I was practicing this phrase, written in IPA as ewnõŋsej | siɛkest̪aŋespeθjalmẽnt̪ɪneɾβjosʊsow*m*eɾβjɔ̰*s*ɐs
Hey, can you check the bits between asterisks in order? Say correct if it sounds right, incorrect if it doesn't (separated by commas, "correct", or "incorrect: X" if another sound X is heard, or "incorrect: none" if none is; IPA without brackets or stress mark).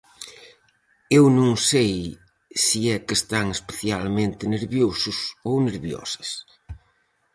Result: incorrect: n, correct